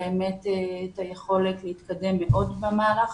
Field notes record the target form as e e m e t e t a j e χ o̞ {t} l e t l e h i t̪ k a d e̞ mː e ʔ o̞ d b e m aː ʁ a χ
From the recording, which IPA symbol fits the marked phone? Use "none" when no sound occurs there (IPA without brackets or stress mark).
none